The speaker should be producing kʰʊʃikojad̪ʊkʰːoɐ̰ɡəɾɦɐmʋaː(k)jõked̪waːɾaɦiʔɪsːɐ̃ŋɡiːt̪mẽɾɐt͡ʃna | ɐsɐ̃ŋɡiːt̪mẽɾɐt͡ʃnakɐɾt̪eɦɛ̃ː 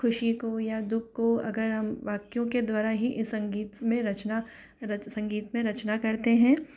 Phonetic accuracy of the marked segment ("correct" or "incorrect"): correct